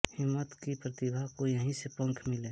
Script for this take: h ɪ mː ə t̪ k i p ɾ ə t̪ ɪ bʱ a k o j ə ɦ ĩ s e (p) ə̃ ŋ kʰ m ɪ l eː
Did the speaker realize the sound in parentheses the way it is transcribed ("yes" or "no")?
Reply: yes